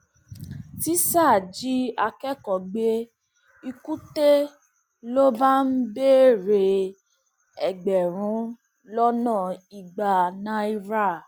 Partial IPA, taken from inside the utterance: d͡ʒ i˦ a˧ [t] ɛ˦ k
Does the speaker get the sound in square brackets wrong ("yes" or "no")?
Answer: yes